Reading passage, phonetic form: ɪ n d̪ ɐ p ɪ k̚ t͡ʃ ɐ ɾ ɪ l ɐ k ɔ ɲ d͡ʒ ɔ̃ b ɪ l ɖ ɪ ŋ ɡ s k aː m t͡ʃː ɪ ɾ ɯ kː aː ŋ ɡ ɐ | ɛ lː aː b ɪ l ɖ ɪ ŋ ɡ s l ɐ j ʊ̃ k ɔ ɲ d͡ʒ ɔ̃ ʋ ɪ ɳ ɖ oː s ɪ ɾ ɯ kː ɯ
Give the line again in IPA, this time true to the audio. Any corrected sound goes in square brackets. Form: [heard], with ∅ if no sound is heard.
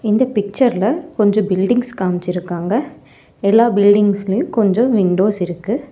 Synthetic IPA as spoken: ɪ n d̪ ɐ p ɪ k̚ t͡ʃ ɐ ɾ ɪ l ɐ k ɔ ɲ d͡ʒ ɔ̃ b ɪ l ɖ ɪ ŋ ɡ s k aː m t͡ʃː ɪ ɾ ɯ kː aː ŋ ɡ ɐ | ɛ lː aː b ɪ l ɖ ɪ ŋ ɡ s l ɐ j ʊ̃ k ɔ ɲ d͡ʒ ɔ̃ ʋ ɪ ɳ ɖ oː s ɪ ɾ ɯ kː ɯ